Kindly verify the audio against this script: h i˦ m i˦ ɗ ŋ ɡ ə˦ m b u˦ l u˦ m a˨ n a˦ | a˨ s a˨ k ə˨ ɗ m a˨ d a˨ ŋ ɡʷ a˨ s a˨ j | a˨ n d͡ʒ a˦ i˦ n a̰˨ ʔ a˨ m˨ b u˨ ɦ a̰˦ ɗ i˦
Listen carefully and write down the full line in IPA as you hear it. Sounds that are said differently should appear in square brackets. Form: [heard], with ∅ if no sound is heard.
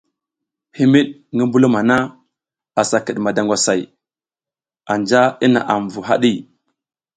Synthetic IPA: h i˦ m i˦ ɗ ŋ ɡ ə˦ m b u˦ l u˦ m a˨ n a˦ | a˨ s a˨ k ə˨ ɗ m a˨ d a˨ ŋ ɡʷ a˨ s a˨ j | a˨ n d͡ʒ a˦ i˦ n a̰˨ ʔ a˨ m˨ [v] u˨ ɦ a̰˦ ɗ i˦